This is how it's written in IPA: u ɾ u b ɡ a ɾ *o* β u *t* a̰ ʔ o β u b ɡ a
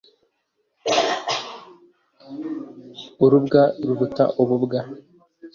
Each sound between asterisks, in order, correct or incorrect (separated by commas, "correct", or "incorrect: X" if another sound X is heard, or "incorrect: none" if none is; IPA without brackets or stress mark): incorrect: u, correct